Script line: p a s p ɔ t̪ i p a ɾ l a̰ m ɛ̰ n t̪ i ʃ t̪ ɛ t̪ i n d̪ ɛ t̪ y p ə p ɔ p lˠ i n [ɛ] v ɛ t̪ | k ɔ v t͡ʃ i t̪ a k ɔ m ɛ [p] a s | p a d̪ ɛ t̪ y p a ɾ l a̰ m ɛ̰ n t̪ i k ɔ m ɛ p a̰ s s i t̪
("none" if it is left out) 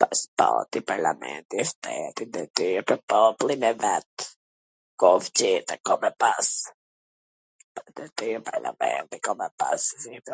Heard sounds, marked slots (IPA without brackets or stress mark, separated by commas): ɛ, p